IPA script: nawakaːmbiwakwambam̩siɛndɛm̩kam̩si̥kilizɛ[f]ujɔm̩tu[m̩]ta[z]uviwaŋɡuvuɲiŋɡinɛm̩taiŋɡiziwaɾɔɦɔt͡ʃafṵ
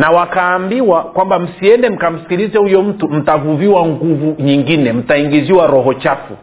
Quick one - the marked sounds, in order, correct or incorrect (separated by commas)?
incorrect, correct, incorrect